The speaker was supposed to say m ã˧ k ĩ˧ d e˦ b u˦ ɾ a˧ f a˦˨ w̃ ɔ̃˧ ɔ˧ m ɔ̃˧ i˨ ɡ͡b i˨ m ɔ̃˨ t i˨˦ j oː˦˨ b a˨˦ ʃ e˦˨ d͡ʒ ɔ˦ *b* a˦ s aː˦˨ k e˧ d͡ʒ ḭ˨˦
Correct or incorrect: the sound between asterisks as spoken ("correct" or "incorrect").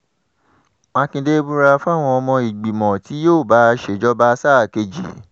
correct